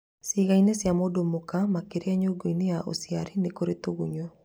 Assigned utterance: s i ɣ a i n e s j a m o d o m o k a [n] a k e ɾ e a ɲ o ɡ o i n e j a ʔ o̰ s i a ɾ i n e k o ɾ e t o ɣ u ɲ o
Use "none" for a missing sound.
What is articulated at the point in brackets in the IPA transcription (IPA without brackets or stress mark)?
m